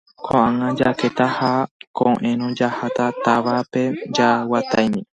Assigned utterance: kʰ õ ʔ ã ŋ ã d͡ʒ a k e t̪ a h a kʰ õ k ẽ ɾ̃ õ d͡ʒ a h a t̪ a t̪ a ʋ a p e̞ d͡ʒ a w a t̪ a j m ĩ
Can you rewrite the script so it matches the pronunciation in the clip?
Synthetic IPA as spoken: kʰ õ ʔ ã ŋ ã d͡ʒ a k e t̪ a h a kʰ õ ʔ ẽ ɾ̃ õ d͡ʒ a h a t̪ a t̪ a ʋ a p e̞ d͡ʒ a w a t̪ a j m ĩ